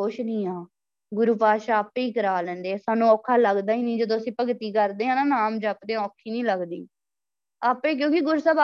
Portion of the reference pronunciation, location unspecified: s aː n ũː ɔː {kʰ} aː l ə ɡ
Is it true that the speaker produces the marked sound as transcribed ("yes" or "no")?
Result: yes